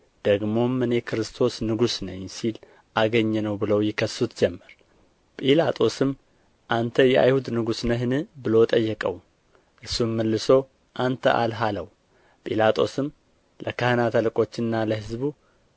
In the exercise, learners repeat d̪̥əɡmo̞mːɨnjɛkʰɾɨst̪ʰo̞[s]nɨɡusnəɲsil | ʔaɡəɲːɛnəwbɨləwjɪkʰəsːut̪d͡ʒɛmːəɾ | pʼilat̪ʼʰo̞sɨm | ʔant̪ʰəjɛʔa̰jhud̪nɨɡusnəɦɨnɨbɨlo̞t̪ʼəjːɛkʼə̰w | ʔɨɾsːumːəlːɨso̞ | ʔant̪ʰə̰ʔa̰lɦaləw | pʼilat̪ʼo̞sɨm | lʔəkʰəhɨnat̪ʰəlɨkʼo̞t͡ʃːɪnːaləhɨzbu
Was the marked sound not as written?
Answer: no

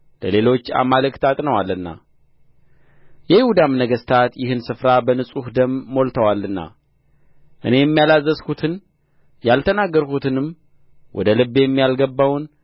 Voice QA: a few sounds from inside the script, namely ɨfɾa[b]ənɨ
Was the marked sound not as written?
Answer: no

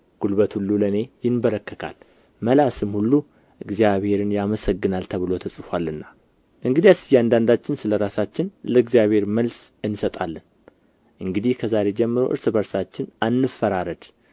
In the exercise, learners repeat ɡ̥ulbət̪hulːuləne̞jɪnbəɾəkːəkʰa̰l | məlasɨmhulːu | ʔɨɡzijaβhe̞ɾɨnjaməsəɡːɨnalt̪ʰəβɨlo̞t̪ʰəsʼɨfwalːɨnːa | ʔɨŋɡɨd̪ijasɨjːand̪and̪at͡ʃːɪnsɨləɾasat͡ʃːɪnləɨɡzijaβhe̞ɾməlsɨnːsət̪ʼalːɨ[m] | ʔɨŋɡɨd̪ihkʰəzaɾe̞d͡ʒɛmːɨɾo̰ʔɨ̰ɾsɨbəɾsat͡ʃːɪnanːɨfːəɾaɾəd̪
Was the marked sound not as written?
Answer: yes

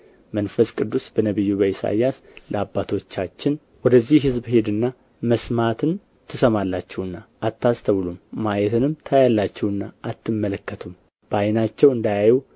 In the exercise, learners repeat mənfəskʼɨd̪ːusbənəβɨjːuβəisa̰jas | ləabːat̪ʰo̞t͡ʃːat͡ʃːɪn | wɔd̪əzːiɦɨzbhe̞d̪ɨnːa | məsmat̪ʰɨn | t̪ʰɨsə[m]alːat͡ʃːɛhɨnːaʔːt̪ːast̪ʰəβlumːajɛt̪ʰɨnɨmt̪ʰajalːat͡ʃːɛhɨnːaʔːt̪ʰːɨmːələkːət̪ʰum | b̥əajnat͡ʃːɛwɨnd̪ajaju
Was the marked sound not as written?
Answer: no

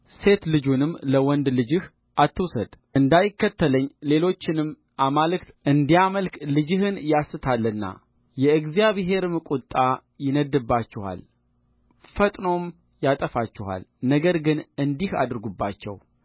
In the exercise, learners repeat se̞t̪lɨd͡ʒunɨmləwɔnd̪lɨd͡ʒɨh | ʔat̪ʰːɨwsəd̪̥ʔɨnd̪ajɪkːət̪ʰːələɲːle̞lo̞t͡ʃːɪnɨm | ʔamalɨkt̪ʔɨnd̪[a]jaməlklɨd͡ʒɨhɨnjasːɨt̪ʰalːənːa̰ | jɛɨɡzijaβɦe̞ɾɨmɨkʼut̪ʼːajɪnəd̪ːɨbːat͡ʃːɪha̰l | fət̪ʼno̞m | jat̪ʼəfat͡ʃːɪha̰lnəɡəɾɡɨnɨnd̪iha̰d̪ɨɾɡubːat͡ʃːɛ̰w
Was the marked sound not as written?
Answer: yes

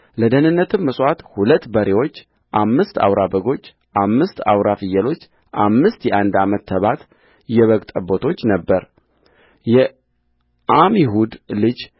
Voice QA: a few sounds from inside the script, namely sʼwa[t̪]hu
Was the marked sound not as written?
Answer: no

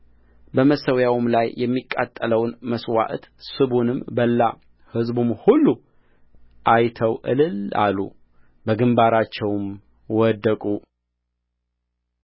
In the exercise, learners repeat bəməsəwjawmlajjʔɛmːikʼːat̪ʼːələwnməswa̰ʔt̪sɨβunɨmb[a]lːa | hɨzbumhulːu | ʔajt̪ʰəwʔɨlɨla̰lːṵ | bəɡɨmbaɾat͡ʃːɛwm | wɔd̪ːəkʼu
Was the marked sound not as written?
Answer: yes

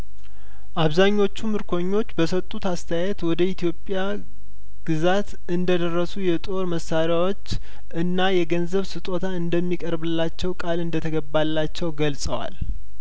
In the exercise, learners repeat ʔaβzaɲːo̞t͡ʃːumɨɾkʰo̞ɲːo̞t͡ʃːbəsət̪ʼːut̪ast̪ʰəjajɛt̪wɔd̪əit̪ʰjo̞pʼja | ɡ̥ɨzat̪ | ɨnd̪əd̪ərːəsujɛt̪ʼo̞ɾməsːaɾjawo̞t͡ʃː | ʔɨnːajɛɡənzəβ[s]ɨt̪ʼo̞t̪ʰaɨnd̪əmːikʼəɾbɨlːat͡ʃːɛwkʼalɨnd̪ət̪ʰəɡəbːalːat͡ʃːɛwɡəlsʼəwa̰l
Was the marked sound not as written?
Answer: no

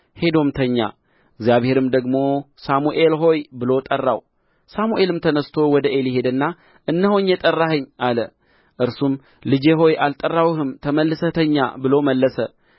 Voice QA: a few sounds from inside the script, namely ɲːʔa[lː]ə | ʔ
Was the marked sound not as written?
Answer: yes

